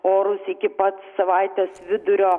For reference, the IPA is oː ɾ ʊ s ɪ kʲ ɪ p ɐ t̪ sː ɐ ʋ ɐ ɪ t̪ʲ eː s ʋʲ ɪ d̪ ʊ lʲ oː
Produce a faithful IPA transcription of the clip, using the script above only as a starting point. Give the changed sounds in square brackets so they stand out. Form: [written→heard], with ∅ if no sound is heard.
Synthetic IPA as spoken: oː ɾ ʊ s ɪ kʲ ɪ p ɐ t̪ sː ɐ ʋ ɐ ɪ t̪ʲ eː s ʋʲ ɪ d̪ ʊ [lʲ→ɾʲ] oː